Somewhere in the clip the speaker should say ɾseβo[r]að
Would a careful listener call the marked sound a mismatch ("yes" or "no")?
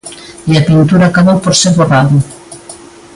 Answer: no